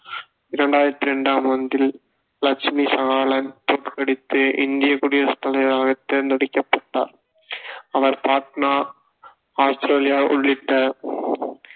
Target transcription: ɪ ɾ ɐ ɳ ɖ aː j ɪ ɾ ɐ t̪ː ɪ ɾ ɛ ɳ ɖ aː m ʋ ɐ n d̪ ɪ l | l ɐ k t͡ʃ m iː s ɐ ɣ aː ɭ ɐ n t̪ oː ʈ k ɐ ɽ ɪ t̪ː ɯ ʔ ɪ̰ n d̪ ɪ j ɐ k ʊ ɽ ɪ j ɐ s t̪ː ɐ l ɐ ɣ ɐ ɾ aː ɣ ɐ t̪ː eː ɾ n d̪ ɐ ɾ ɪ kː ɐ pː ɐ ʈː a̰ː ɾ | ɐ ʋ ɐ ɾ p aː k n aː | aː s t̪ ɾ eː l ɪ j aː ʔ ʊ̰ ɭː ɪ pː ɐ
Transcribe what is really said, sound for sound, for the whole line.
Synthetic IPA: ɪ ɾ ɐ ɳ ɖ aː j ɪ ɾ ɐ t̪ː ɪ ɾ ɛ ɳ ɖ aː m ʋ ɐ n d̪ ɪ l | l ɐ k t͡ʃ m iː s ɐ ɣ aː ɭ ɐ n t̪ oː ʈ k ɐ ɽ ɪ t̪ː ɯ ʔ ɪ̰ n d̪ ɪ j ɐ k ʊ ɽ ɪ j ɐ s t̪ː ɐ l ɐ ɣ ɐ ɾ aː ɣ ɐ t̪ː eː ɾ n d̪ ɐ ɽ ɪ kː ɐ pː ɐ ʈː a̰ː ɾ | ɐ ʋ ɐ ɾ p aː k n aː | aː s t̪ ɾ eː l ɪ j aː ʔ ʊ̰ ɭː ɪ ʈː ɐ